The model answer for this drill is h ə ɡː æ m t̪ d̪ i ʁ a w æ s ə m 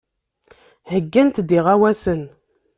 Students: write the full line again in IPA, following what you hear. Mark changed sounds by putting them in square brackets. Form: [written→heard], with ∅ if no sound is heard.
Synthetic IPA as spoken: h ə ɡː æ [m→n] t̪ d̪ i ʁ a w æ s ə [m→n]